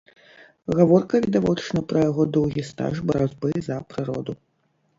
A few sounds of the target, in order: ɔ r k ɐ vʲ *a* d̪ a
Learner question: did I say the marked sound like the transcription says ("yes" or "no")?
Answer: no